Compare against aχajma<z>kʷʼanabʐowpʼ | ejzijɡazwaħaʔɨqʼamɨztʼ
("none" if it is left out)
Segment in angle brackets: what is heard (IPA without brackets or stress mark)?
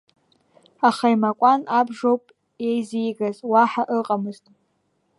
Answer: none